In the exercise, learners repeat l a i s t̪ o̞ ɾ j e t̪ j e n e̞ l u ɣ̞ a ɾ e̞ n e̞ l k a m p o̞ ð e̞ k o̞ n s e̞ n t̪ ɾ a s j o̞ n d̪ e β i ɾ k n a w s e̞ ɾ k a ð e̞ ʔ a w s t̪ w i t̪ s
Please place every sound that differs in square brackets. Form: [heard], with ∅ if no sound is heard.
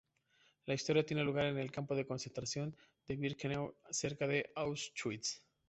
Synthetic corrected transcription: l a i s t̪ o̞ ɾ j [a] t̪ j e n e̞ l u ɣ̞ a ɾ e̞ n e̞ l k a m p o̞ ð e̞ k o̞ n s e̞ n t̪ ɾ a s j o̞ n d̪ e β i ɾ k n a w s e̞ ɾ k a ð e̞ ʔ a w s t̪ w i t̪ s